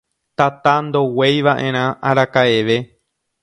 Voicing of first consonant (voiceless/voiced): voiceless